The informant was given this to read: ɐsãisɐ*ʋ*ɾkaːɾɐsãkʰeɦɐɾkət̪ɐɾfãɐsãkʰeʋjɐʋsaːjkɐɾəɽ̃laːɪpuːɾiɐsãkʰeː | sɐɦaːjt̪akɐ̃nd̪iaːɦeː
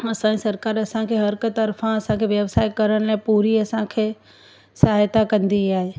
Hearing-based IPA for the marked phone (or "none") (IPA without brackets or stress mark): none